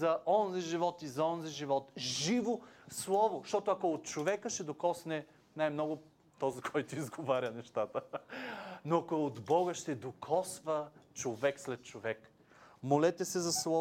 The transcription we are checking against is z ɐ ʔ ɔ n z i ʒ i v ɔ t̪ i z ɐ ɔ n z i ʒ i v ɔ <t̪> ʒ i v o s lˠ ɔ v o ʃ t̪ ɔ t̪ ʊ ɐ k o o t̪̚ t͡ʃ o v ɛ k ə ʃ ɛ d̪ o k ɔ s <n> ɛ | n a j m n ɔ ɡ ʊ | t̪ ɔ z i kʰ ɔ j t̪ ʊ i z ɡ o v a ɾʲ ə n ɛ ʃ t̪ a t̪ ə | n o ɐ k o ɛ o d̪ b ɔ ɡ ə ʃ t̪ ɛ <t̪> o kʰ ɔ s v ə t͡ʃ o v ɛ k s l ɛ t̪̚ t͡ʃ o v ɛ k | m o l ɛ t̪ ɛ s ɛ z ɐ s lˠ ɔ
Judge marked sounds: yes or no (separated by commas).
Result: yes, yes, no